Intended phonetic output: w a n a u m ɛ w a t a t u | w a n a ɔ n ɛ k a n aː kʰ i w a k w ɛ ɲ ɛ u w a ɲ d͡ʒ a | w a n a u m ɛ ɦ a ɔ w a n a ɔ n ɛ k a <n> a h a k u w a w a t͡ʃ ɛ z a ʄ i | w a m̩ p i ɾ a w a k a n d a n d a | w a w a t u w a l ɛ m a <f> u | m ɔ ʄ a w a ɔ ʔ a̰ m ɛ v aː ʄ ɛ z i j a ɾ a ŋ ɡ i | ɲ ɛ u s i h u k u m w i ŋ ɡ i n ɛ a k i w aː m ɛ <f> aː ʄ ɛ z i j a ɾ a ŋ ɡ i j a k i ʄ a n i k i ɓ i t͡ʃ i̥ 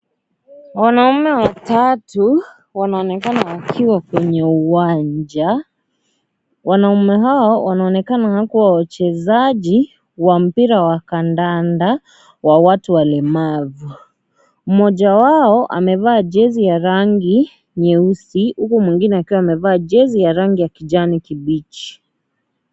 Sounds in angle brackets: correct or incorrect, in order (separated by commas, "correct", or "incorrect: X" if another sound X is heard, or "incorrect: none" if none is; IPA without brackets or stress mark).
correct, incorrect: v, incorrect: v